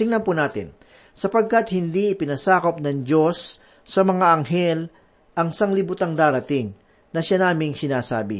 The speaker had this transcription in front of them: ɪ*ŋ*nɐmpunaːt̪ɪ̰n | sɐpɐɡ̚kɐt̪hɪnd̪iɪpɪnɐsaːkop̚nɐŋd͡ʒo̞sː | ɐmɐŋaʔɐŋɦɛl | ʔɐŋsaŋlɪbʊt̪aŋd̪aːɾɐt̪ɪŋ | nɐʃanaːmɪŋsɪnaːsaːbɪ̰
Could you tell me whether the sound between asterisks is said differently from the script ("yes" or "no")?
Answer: no